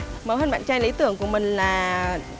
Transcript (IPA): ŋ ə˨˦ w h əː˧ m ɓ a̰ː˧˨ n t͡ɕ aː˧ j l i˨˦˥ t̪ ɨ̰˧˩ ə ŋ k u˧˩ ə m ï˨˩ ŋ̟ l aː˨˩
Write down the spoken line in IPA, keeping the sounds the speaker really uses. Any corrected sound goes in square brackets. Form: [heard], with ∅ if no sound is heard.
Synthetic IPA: [m] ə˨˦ w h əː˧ [n] ɓ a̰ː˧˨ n t͡ɕ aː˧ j l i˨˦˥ t̪ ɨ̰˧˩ ə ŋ k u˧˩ ə m ï˨˩ ŋ̟ l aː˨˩